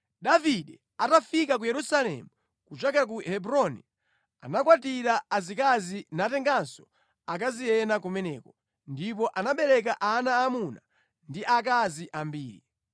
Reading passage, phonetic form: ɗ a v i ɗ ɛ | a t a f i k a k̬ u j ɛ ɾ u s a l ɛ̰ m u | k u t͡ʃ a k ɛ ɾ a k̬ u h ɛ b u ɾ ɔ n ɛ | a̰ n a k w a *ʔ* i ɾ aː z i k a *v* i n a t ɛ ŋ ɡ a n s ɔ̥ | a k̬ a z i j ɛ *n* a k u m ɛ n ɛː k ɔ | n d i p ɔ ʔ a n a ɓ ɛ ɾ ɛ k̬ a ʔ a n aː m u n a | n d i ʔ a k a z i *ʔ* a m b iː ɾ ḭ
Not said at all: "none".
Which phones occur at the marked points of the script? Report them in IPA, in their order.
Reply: t, z, n, ʔ

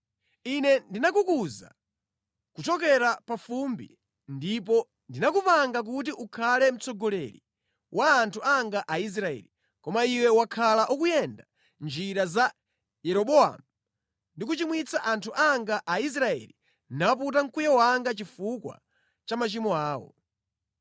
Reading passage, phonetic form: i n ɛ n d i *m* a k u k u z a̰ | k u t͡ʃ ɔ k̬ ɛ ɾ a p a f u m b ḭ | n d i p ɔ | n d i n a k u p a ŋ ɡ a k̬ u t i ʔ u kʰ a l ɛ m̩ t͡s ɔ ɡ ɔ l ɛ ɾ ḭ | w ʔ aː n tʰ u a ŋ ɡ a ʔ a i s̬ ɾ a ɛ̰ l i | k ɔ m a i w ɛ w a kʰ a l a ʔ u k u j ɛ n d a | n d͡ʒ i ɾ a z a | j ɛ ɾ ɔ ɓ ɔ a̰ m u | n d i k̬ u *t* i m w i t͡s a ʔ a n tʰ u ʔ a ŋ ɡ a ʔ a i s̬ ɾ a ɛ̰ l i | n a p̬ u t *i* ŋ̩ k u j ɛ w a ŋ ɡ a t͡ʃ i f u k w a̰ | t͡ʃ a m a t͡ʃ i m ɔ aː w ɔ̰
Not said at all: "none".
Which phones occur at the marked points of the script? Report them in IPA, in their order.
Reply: n, t͡ʃ, a

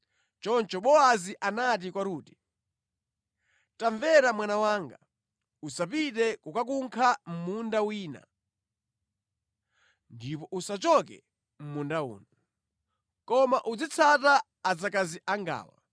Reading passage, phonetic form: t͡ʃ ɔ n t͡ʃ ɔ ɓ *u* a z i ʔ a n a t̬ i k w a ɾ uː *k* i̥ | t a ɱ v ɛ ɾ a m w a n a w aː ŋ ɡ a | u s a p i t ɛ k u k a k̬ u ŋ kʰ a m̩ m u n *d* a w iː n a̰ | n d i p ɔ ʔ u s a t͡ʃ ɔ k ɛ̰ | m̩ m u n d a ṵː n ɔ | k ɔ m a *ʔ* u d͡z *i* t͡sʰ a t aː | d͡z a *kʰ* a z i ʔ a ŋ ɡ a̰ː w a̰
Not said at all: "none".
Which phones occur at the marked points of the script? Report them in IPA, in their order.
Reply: ɔ, t, d, ʔ, i, k

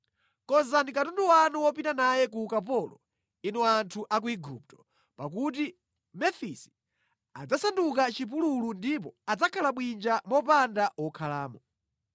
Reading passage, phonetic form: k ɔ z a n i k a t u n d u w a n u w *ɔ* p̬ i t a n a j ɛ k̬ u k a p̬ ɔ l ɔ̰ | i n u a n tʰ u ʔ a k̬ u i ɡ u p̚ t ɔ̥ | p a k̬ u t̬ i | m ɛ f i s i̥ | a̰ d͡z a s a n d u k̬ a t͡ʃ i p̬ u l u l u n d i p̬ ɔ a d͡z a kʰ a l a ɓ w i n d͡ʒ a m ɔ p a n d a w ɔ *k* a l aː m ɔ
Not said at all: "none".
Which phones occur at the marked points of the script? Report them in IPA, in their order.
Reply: ɔ, kʰ

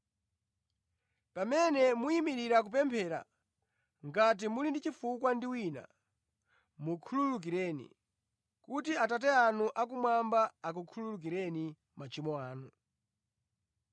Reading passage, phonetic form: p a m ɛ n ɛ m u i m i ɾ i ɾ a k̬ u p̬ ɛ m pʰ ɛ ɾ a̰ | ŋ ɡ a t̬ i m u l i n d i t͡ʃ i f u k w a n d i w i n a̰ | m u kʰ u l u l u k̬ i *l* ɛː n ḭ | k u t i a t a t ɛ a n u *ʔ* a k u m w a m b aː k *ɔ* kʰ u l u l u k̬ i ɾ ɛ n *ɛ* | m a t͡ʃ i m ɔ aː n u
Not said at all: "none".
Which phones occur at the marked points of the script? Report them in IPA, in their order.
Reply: ɾ, ʔ, u, i

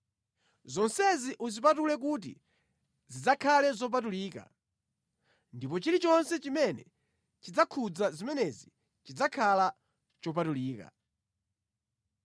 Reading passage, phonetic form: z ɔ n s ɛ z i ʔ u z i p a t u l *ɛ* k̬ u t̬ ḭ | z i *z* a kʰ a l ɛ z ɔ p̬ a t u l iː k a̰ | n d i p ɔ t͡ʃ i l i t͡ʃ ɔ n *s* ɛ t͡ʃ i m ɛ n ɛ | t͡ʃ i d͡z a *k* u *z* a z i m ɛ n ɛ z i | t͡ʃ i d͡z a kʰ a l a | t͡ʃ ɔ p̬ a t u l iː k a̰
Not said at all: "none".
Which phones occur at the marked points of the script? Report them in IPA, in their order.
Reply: ɛ, d͡z, s, kʰ, d͡z

